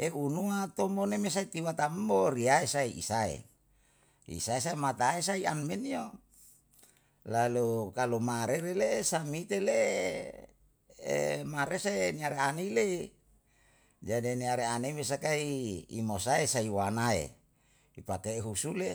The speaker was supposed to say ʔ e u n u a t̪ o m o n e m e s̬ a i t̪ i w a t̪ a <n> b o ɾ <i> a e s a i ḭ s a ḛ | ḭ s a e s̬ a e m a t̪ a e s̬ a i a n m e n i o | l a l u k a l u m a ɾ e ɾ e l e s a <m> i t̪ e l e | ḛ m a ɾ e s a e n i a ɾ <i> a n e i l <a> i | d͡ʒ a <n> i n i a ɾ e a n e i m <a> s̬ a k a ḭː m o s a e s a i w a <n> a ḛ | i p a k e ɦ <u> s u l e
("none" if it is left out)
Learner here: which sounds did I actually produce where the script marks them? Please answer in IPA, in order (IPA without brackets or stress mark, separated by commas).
m, i, m, e, e, d, e, n, u